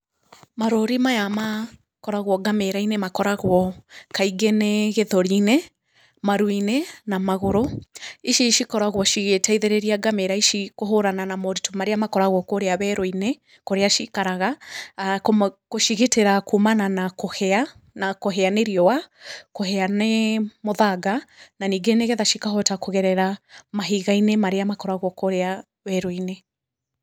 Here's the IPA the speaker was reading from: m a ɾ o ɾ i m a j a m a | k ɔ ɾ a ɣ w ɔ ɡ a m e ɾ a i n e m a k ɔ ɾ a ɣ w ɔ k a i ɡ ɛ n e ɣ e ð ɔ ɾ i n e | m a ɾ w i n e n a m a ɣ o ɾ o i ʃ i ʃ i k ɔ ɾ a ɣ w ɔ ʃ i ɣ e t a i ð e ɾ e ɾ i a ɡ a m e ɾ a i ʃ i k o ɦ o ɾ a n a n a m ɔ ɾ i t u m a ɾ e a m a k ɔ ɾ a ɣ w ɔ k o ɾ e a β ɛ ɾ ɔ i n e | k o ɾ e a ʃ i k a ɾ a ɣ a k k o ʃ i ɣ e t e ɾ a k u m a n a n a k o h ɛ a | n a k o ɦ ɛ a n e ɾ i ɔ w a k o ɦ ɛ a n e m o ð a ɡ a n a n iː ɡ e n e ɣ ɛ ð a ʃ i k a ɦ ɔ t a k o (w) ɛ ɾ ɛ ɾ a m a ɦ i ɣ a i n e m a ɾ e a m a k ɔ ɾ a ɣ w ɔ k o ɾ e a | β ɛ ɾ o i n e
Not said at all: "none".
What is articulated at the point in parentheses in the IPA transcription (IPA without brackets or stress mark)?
ɣ